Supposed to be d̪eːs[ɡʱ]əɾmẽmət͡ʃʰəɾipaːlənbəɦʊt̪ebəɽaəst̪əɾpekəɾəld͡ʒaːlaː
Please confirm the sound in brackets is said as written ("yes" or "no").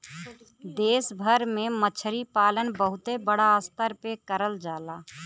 no